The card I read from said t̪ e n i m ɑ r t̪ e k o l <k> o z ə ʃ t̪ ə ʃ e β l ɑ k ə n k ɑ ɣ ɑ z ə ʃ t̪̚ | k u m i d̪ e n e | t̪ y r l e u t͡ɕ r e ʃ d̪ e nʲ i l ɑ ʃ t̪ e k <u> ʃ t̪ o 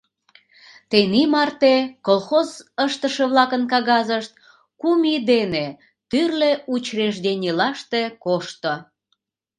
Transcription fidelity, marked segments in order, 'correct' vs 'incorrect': incorrect: x, incorrect: o

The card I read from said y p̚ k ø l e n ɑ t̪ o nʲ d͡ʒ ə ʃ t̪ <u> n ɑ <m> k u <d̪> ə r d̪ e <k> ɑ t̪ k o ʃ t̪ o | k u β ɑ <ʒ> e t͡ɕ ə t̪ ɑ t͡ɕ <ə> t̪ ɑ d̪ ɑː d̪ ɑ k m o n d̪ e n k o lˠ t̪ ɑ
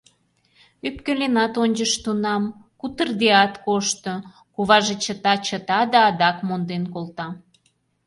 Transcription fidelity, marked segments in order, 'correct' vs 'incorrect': correct, correct, incorrect: t̪, incorrect: none, correct, correct

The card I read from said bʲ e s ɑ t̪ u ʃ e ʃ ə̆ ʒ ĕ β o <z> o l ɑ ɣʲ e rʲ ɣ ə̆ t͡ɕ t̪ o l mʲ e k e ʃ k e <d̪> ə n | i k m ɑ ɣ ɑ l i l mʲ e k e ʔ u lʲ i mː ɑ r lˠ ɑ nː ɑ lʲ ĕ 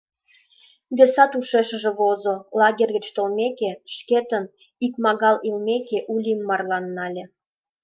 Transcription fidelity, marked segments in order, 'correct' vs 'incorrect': correct, incorrect: t̪

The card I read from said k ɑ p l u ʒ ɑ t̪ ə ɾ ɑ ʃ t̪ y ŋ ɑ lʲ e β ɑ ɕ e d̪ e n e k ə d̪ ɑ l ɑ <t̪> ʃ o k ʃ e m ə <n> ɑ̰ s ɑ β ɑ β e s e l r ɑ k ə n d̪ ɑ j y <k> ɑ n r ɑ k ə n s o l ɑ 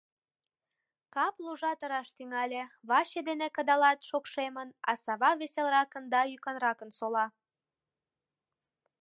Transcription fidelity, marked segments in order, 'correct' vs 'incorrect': correct, correct, correct

